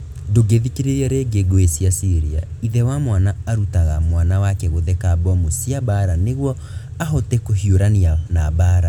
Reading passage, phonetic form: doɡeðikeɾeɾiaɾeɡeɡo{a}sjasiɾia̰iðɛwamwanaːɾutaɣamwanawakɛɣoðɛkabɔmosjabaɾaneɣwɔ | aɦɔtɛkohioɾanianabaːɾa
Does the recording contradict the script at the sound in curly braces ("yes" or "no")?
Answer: yes